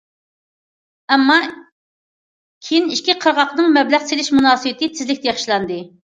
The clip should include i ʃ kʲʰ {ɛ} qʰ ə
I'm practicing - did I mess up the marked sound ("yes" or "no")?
yes